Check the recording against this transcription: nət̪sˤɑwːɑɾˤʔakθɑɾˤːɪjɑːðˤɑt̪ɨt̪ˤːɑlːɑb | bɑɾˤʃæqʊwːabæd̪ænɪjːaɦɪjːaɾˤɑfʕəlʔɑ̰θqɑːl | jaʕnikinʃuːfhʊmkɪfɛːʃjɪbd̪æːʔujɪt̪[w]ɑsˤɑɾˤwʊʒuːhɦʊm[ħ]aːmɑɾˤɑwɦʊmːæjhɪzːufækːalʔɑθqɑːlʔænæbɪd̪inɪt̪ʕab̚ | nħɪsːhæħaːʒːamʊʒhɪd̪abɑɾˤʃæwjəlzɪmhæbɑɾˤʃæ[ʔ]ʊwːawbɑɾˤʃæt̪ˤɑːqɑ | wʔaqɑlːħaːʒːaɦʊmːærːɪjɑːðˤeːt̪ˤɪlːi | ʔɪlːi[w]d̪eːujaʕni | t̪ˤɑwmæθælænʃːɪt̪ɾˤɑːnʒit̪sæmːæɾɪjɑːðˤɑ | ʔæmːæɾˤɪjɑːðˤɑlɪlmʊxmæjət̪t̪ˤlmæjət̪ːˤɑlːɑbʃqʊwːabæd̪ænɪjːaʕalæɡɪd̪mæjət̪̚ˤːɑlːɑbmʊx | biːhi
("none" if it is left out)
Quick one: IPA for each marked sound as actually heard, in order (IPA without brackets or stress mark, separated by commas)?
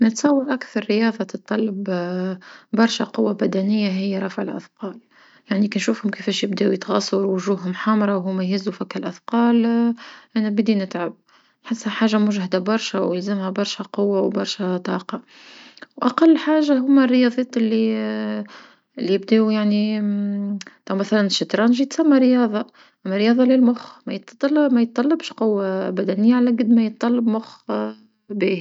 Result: ɣ, ħ, q, b